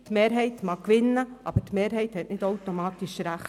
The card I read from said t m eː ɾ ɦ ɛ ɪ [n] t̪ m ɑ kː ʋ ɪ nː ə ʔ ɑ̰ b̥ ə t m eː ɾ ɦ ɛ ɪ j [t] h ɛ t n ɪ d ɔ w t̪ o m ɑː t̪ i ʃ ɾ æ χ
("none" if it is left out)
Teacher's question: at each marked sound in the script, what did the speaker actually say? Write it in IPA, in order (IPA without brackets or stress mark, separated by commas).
none, t